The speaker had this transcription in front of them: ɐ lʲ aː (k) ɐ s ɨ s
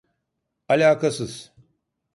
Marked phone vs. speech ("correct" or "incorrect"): correct